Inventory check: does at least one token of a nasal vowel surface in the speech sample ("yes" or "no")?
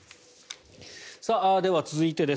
no